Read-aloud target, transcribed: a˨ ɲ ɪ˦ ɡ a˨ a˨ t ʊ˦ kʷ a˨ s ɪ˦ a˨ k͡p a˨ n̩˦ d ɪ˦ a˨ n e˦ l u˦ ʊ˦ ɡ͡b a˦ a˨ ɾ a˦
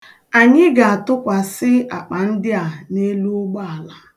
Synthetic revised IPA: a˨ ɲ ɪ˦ ɡ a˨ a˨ t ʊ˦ kʷ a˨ s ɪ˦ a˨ k͡p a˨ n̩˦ d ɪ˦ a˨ n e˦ l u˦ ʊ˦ ɡ͡b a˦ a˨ l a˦